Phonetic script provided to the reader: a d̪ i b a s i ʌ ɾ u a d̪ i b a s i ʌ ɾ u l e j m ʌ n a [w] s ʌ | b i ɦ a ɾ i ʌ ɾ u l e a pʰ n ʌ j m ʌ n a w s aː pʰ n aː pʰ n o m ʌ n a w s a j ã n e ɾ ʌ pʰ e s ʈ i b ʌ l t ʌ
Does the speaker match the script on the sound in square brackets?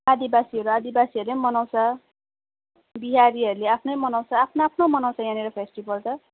yes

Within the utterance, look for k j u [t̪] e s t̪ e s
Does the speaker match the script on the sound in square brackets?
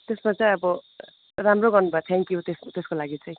yes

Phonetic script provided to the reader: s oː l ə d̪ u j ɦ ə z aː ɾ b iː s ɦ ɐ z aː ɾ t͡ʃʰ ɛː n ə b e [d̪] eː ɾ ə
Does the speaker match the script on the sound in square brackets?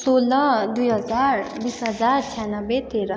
no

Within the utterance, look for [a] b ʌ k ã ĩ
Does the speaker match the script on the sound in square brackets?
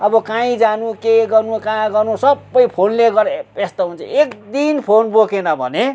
no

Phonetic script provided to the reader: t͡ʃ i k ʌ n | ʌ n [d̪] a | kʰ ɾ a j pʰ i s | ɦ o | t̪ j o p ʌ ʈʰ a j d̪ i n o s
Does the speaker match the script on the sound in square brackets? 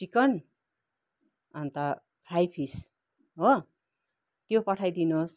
no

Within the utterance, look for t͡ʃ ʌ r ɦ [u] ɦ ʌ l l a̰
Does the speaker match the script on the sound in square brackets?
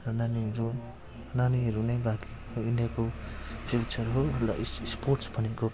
no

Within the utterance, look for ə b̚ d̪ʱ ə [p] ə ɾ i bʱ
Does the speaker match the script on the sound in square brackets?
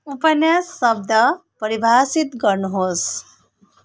yes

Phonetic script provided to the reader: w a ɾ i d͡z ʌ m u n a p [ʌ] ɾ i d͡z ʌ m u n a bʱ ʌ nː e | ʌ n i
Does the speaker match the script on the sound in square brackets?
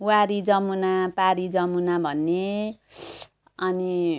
no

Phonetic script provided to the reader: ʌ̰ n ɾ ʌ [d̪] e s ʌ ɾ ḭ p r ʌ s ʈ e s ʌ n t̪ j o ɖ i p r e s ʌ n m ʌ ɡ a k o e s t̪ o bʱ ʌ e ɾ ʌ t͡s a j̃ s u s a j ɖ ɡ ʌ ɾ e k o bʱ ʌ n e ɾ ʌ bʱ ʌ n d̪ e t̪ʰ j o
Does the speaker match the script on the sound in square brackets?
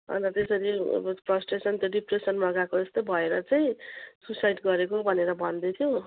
no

